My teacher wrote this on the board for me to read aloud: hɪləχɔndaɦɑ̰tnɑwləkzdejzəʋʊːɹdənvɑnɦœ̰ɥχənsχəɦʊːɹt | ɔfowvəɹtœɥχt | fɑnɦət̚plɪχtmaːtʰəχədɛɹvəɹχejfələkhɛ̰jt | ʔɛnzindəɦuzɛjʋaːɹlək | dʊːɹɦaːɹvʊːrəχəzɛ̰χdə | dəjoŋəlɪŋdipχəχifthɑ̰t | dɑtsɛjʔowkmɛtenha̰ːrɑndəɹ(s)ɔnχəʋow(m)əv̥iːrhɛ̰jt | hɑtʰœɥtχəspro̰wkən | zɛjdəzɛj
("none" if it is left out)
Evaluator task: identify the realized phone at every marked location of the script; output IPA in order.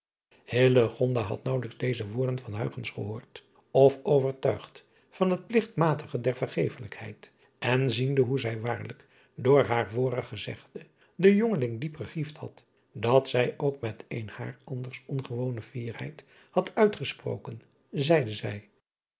s, n

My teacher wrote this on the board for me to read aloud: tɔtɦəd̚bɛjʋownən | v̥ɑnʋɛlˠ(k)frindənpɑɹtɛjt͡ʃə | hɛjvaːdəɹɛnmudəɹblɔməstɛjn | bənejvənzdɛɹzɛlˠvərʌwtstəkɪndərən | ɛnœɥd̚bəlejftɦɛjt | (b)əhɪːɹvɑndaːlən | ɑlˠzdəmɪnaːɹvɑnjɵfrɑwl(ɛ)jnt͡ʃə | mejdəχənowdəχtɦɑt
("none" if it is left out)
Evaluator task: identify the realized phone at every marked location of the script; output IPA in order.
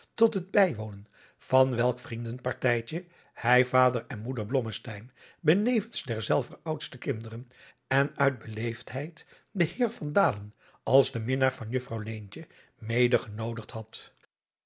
k, d, e

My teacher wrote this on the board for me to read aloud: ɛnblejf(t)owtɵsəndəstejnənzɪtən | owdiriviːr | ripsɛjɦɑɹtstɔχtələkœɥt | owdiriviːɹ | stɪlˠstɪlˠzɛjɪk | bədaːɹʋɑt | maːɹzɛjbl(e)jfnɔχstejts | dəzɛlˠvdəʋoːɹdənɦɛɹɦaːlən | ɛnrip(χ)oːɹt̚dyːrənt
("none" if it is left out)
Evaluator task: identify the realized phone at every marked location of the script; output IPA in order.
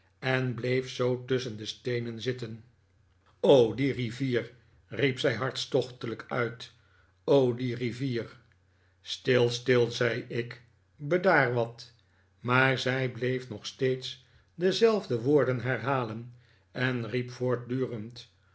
s, e, f

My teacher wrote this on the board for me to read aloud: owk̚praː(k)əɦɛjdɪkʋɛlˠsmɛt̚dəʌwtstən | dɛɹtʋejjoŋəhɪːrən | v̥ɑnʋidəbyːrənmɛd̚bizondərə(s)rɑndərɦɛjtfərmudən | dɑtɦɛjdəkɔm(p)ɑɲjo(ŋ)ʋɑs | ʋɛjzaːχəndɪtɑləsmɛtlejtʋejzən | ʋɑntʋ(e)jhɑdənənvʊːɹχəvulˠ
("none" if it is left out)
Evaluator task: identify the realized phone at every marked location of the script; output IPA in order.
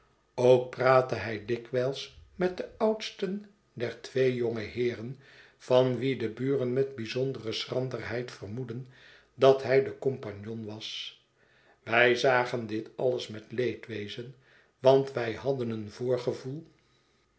t, s, p, n, ɛ

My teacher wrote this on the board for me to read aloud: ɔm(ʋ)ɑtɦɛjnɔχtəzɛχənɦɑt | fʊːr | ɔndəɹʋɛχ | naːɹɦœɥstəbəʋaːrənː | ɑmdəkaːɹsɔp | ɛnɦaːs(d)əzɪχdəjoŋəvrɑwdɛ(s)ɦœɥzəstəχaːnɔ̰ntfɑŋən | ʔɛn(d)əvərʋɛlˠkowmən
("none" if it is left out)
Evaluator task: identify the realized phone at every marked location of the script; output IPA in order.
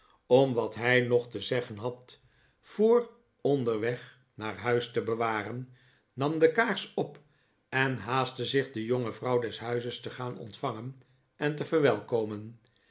ʋ, t, s, t

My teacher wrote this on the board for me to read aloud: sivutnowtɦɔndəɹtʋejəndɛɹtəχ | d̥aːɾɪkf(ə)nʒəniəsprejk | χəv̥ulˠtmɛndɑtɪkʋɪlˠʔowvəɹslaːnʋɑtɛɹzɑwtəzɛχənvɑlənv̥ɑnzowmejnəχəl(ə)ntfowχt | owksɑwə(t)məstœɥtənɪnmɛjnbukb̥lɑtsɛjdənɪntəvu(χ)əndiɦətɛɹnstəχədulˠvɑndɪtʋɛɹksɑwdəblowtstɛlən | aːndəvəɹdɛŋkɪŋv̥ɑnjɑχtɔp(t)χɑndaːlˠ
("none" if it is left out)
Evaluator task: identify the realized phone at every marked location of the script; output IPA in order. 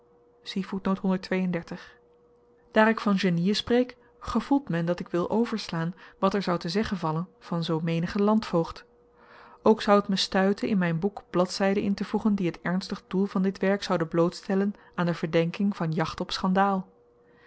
ɑ, ɑ, t, χ, s

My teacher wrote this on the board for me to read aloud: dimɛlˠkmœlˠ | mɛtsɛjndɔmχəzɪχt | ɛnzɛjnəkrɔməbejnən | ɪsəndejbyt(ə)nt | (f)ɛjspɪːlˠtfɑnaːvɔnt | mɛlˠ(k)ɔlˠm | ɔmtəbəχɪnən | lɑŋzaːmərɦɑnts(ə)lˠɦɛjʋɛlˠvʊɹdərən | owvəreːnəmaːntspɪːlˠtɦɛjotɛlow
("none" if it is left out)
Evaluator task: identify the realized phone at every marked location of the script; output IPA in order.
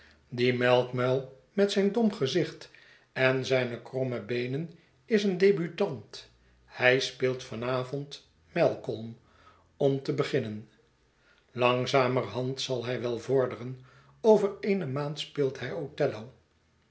ɑ, h, k, ɑ

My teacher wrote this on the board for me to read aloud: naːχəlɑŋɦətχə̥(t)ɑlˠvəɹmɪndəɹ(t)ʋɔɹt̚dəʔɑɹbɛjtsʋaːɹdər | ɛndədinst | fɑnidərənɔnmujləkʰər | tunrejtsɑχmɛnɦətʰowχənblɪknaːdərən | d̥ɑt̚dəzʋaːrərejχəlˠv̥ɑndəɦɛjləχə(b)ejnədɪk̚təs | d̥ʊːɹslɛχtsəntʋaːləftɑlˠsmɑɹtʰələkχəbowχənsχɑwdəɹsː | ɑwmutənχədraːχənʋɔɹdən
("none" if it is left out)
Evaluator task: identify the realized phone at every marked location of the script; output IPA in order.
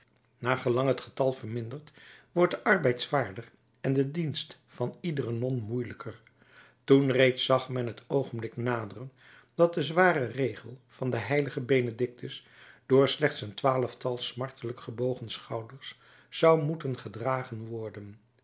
t, t, b

